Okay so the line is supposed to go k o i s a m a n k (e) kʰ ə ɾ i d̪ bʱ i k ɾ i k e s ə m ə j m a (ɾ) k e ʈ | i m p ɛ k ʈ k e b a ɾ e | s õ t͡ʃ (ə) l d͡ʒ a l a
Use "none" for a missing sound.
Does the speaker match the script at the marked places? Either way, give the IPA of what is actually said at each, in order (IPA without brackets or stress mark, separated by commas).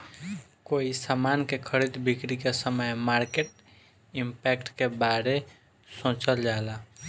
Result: e, ɾ, ə